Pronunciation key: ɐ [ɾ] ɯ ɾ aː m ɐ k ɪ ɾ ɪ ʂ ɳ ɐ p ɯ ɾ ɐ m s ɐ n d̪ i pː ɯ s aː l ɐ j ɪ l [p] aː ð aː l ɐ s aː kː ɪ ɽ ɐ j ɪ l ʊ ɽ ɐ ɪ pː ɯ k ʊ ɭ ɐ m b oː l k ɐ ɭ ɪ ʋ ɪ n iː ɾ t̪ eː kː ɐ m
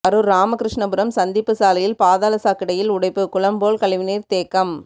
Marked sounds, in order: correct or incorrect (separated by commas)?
correct, correct